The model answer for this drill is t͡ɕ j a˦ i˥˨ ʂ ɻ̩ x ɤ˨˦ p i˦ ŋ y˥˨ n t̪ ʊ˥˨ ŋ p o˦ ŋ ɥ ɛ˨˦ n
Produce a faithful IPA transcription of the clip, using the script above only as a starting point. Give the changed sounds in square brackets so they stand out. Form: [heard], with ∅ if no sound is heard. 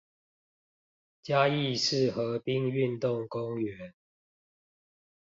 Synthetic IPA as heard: t͡ɕ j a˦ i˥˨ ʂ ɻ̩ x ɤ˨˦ p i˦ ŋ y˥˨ n t̪ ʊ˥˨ ŋ [k] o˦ ŋ ɥ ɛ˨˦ n

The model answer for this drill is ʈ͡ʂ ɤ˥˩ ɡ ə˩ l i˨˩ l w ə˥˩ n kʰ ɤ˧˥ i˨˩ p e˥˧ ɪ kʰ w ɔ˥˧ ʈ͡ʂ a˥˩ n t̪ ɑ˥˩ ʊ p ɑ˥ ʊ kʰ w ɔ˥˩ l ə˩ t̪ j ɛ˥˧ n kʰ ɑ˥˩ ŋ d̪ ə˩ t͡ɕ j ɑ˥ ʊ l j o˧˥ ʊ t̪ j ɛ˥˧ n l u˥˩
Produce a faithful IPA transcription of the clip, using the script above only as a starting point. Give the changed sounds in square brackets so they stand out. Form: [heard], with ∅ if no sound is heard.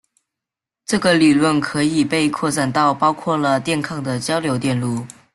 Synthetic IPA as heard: ʈ͡ʂ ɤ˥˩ ɡ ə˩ l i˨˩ l w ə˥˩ n kʰ ɤ˧˥ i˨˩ p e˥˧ ɪ kʰ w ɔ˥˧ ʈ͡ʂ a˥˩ n t̪ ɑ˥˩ ʊ p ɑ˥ ʊ kʰ w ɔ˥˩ l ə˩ t̪ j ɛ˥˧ n kʰ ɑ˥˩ ŋ d̪ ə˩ t͡ɕ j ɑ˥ ʊ l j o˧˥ ʊ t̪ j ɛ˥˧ n l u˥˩

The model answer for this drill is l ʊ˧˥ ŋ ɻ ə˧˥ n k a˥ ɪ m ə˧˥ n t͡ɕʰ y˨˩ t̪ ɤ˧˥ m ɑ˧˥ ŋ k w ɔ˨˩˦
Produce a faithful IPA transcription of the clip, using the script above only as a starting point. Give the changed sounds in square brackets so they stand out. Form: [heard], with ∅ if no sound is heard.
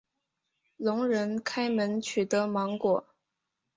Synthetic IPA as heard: l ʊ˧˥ ŋ ɻ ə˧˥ n [kʰ] a˥ ɪ m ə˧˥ n t͡ɕʰ y˨˩ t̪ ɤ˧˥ m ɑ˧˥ ŋ k w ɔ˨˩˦

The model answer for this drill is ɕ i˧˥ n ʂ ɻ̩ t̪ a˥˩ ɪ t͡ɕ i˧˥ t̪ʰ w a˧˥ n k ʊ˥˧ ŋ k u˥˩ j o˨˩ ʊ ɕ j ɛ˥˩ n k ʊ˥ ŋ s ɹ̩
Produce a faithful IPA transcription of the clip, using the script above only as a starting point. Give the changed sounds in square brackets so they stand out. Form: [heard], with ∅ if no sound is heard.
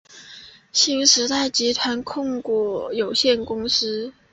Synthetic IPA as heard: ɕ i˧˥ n ʂ ɻ̩ t̪ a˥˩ ɪ t͡ɕ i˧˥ t̪ʰ w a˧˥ n [kʰ] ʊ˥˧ ŋ k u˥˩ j o˨˩ ʊ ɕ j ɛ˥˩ n k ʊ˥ ŋ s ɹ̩

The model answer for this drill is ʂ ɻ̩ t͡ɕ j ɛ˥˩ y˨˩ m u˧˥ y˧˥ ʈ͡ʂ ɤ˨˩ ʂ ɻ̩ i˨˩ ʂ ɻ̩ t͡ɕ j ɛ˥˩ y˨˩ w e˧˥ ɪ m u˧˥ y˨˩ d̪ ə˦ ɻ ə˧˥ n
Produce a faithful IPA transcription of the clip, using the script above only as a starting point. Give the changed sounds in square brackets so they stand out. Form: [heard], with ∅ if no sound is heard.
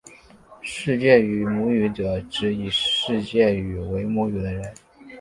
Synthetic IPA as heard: ʂ ɻ̩ t͡ɕ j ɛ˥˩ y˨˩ m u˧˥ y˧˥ ʈ͡ʂ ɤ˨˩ [ʈ͡ʂ] ɻ̩ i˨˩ ʂ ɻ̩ t͡ɕ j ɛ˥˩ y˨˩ w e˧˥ ɪ m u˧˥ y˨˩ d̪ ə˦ ɻ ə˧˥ n

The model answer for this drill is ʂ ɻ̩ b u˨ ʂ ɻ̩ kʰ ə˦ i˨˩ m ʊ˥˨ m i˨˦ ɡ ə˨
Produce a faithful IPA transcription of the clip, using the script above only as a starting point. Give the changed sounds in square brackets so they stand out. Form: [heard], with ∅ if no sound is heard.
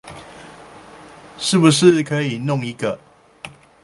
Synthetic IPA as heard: ʂ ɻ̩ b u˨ ʂ ɻ̩ kʰ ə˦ i˨˩ [n] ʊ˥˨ [ŋ] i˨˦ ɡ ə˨

